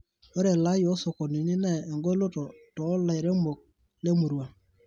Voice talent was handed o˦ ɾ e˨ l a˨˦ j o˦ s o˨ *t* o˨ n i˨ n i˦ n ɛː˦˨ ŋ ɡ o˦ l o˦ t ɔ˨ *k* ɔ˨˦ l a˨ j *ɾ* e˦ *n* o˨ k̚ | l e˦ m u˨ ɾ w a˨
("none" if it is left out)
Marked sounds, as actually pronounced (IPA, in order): k, t, ɾ, m

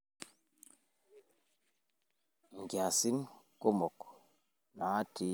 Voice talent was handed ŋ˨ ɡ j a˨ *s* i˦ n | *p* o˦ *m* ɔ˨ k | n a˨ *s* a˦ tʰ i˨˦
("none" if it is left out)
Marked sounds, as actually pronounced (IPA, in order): s, k, m, none

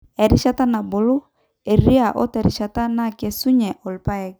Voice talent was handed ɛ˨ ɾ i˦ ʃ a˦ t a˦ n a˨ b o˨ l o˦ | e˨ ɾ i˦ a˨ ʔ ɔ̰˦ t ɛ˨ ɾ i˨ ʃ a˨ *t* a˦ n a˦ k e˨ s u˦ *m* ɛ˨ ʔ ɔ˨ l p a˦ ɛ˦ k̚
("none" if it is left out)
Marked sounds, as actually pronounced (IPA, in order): t, ɲ

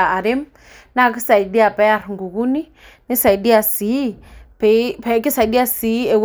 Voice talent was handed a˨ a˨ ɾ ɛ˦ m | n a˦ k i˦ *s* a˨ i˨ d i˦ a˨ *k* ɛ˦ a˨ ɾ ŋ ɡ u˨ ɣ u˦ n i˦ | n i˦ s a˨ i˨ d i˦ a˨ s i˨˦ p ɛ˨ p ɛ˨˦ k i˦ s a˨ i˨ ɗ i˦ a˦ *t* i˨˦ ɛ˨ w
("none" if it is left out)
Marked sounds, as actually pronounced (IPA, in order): s, p, s

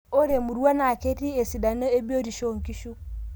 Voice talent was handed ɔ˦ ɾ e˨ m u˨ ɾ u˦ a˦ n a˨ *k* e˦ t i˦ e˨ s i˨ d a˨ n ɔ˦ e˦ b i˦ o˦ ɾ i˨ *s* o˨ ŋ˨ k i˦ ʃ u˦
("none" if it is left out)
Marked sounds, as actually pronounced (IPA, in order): k, ʃ

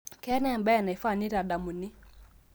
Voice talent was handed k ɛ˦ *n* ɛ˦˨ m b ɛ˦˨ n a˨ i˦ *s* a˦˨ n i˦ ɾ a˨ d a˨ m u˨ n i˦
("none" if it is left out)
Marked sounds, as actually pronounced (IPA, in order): n, f

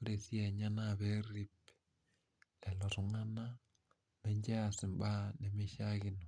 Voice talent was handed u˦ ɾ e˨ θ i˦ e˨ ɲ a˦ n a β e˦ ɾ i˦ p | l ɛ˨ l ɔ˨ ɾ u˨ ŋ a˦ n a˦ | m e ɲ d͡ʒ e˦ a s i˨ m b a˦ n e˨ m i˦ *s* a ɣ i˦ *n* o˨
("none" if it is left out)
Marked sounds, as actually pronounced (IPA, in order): ʃ, n

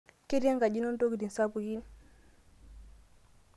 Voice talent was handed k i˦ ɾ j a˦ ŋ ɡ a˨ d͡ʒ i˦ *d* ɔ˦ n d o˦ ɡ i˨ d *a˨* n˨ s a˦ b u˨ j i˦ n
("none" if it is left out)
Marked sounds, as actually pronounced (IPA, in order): n, i˨

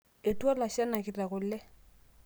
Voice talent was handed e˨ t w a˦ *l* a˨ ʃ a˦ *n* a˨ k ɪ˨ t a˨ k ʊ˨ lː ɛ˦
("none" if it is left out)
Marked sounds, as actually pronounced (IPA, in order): l, n

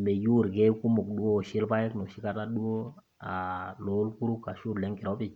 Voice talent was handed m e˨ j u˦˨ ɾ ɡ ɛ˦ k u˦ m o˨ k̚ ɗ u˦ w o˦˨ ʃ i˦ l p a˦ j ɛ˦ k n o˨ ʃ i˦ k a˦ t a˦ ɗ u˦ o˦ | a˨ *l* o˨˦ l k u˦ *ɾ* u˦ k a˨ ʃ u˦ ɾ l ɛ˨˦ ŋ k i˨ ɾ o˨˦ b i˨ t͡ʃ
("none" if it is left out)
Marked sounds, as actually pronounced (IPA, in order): l, ɾ

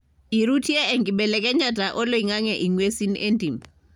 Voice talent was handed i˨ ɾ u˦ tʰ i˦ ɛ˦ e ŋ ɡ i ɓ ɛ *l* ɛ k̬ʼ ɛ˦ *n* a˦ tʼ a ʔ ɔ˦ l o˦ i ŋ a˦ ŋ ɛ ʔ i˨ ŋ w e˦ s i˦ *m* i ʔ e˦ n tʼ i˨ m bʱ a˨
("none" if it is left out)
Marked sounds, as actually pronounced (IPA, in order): l, ɲ, n

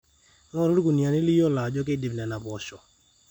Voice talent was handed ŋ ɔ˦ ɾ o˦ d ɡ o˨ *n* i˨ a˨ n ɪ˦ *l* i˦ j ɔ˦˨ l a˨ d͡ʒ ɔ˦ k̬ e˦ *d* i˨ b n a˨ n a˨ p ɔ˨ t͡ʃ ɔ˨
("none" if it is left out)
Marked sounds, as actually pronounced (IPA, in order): n, l, d

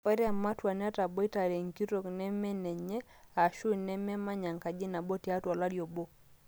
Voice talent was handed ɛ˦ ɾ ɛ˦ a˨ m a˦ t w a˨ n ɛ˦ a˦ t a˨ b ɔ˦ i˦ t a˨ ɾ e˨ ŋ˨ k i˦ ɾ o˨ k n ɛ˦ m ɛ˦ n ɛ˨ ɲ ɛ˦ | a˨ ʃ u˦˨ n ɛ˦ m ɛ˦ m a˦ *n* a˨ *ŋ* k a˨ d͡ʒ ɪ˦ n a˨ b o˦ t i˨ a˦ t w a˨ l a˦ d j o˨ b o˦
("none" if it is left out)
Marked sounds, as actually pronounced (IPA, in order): ɲ, ŋ

